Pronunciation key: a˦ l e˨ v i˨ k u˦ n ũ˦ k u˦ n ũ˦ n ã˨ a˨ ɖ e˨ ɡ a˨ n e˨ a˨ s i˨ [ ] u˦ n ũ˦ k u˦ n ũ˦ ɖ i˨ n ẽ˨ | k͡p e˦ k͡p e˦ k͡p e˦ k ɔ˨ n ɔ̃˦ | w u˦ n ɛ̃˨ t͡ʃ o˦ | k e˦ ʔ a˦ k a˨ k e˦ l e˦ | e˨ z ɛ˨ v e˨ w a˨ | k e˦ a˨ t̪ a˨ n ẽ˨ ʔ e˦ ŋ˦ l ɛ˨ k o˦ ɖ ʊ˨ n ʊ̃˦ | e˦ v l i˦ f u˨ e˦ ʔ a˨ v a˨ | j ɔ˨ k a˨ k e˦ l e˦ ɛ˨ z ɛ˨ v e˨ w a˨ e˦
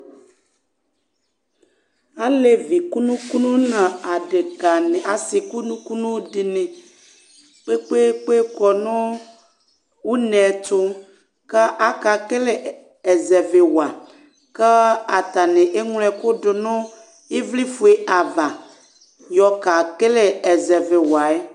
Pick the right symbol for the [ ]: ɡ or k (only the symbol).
k